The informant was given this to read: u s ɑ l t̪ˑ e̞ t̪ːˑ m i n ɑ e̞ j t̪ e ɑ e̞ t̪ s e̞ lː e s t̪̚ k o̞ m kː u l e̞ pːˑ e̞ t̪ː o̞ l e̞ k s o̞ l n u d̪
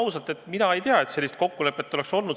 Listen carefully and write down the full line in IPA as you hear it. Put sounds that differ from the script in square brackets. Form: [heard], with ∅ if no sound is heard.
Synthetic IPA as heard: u s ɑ l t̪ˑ e̞ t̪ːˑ m i n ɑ e̞ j t̪ e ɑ e̞ t̪ s e̞ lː [i] s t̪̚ k o̞ [∅] kː u l e̞ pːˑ e̞ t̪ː o̞ l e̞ k s o̞ l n u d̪